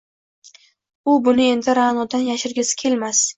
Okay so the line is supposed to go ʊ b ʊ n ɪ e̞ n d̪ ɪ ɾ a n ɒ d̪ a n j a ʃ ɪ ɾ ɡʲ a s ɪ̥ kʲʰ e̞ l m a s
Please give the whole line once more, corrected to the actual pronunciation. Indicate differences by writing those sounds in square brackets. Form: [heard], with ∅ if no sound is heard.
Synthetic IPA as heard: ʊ b ʊ n ɪ e̞ n d̪ ɪ ɾ a n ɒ d̪ a n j a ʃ ɪ ɾ ɡʲ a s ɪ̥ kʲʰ e̞ l m a s